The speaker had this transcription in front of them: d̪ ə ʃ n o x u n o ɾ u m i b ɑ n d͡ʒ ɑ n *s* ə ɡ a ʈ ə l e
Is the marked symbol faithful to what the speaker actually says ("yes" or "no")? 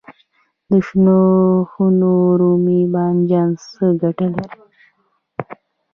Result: yes